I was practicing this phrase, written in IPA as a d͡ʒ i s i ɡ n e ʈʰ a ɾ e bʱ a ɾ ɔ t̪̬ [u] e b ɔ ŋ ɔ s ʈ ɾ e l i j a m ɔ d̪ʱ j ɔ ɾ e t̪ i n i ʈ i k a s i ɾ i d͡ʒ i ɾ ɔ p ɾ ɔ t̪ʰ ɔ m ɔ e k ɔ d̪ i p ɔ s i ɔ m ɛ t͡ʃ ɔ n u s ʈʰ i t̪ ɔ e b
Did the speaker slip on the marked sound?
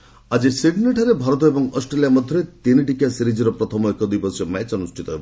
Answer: yes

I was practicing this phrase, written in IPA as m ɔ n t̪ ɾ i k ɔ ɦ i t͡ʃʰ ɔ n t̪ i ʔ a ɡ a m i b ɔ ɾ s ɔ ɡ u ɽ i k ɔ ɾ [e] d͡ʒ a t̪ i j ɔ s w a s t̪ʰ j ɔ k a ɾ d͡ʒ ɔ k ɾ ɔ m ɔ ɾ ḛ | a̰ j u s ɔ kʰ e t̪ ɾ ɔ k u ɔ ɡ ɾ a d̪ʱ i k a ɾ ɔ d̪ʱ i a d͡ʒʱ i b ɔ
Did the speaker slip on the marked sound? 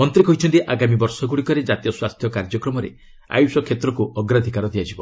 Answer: no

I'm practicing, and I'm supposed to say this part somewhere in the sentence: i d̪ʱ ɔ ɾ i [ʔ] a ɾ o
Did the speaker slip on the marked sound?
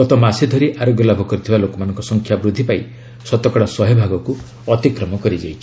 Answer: no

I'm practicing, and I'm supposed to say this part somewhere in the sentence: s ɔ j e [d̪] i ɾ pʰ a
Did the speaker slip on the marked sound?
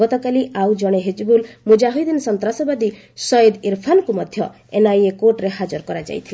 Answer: no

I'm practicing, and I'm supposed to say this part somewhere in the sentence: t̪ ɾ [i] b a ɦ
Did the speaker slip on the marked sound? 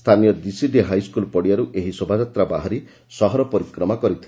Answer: yes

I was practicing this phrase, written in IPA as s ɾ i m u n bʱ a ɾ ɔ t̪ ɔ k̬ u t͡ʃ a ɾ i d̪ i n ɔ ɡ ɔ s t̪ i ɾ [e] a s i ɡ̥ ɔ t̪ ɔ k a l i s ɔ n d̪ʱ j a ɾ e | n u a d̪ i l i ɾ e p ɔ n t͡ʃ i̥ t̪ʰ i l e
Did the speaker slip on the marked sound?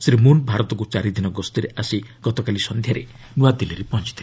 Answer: no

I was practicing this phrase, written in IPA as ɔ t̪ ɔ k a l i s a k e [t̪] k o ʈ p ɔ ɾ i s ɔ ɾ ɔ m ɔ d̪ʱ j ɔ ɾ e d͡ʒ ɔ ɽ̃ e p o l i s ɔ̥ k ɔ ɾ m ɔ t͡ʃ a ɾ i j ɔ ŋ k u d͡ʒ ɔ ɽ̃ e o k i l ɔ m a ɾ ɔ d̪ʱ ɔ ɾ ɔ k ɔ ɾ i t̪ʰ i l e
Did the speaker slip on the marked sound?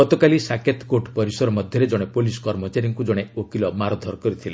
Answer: no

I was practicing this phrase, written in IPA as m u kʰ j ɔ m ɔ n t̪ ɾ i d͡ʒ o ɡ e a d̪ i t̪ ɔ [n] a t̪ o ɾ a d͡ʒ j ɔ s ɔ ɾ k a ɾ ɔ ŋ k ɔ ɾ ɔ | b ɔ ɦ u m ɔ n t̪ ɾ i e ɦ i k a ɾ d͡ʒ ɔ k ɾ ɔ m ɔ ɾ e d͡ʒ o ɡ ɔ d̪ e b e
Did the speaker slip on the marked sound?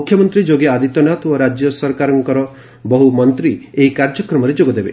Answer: no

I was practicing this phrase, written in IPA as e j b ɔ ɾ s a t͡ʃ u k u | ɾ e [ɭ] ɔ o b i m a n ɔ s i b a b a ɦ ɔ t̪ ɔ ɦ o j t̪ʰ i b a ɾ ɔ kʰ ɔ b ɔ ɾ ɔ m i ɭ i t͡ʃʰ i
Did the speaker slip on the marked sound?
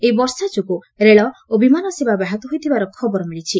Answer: no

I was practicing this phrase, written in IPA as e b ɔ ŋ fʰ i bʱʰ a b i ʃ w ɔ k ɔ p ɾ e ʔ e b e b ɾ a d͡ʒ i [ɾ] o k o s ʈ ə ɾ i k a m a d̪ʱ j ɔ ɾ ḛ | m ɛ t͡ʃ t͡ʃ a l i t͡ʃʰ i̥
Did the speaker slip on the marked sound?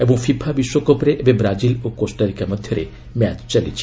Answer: yes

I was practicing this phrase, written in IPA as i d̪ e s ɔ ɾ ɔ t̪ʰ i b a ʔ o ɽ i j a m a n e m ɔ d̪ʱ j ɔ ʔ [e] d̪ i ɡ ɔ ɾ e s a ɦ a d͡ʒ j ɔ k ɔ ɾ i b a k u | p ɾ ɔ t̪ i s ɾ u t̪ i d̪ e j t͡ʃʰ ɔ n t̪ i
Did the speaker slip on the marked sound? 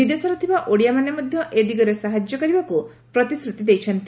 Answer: no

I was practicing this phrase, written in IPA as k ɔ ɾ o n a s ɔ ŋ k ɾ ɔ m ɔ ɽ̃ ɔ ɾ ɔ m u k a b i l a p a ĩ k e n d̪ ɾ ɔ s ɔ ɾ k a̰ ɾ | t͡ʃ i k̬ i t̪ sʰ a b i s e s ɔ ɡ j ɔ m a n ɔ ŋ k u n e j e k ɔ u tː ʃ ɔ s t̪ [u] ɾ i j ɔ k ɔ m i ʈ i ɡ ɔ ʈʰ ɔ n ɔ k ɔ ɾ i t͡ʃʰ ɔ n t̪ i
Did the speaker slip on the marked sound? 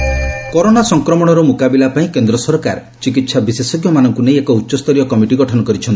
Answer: yes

